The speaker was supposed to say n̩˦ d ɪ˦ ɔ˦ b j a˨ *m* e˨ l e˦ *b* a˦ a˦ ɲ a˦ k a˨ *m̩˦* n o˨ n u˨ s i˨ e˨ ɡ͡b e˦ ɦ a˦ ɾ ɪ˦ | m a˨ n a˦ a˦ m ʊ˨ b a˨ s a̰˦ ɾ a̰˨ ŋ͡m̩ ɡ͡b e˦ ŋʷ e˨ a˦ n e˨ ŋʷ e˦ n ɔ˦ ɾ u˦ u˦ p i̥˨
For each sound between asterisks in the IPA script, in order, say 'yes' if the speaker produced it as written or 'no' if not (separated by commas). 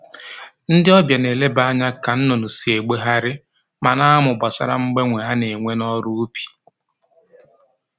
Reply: no, yes, no